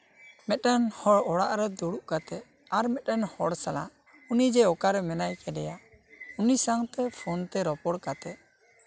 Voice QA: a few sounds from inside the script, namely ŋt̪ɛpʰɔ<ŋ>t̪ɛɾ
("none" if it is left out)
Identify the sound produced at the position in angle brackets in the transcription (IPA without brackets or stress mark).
n